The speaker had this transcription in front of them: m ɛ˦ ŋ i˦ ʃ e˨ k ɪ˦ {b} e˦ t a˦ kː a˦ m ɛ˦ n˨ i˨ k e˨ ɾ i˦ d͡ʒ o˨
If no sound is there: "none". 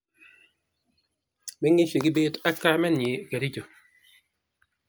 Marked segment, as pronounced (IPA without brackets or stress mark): b